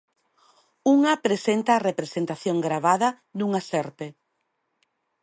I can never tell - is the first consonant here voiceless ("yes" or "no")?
no